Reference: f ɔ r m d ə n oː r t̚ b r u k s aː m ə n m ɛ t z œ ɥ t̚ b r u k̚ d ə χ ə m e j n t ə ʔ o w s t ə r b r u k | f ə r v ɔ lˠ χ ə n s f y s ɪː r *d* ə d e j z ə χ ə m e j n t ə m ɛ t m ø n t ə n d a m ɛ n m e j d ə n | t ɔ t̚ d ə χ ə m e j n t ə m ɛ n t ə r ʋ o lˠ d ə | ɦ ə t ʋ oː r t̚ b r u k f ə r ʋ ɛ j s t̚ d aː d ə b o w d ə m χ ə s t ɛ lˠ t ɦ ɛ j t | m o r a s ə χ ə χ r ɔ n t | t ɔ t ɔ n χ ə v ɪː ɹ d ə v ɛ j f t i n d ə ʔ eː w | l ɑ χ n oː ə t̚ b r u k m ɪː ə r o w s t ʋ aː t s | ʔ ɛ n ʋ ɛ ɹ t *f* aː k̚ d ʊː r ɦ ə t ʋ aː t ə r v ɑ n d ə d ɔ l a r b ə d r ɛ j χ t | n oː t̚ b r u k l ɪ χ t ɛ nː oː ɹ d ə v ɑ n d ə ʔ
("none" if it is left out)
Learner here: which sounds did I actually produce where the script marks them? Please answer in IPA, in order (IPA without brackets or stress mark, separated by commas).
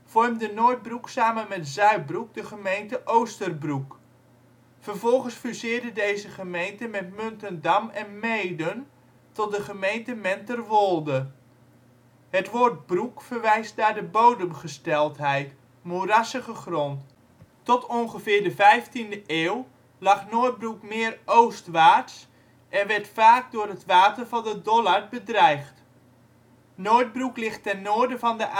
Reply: d, f